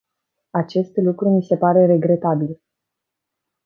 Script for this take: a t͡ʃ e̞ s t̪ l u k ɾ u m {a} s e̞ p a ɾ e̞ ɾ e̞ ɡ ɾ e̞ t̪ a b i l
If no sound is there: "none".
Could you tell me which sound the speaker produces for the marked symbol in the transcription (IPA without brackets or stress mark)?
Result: i